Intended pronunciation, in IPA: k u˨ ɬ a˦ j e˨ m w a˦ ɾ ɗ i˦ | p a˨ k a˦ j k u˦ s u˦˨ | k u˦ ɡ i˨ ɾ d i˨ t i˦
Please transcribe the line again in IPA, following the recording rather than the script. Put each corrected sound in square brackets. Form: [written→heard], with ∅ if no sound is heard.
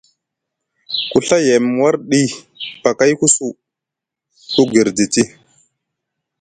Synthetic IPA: k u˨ ɬ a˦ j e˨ m w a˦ ɾ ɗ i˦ | p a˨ k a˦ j k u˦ s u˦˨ | k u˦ ɡ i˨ ɾ d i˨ t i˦